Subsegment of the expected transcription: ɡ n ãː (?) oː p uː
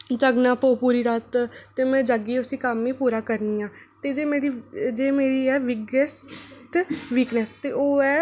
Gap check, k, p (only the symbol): p